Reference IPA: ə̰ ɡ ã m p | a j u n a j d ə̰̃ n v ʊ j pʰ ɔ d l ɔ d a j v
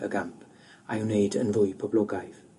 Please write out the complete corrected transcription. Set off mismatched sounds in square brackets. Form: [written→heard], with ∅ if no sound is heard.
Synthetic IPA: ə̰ ɡ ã m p | a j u n [a→e] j d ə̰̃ n v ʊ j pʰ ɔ [d→b] l ɔ [d→ɡ] a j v